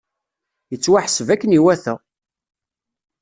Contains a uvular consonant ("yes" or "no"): no